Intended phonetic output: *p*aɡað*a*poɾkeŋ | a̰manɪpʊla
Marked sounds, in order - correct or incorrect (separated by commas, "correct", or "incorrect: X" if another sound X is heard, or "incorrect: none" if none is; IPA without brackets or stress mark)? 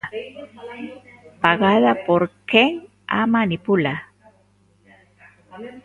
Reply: correct, correct